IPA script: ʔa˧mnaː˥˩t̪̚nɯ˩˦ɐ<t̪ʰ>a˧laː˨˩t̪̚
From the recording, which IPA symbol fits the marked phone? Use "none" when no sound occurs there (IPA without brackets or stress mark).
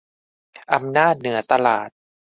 t̪